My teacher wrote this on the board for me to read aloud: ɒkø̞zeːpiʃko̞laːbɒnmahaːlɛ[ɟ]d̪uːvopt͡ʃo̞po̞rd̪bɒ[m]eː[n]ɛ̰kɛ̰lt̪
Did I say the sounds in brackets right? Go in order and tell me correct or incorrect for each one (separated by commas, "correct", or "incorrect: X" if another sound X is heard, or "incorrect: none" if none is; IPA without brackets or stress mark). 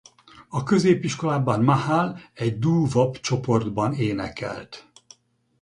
correct, incorrect: n, correct